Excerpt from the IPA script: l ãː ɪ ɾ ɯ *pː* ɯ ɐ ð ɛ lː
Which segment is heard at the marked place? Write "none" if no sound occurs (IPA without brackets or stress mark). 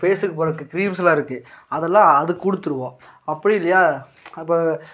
kː